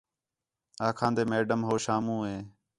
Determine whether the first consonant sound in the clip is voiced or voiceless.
voiceless